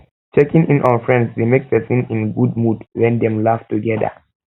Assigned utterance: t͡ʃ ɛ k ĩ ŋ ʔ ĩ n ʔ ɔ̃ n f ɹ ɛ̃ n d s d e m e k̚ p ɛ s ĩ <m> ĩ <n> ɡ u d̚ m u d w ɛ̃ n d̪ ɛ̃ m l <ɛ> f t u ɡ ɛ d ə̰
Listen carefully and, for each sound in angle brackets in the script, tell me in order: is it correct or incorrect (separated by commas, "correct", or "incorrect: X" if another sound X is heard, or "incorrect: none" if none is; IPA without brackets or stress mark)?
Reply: incorrect: n, correct, incorrect: a